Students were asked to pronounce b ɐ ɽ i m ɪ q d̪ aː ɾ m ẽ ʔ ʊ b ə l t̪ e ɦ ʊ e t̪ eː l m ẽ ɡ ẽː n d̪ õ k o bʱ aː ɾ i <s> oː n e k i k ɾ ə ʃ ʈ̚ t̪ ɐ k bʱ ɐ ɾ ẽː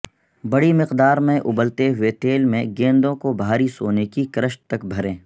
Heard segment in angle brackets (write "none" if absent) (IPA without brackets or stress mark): s